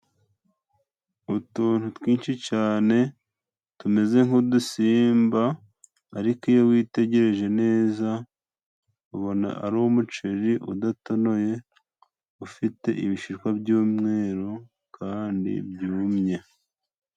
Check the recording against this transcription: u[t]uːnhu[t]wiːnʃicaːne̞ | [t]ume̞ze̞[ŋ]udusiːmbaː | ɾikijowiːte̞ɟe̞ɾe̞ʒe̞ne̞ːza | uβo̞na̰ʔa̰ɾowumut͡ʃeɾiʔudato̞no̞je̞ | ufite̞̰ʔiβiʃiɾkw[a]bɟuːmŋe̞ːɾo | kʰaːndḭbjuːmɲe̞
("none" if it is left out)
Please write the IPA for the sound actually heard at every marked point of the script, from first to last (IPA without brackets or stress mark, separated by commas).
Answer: t, t, t, ŋ, a